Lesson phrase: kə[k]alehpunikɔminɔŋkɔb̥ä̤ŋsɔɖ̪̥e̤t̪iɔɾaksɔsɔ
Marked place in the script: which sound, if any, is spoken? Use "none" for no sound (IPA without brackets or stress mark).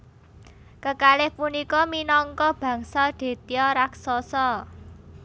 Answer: k